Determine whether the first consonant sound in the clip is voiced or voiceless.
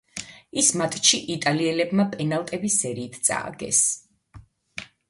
voiceless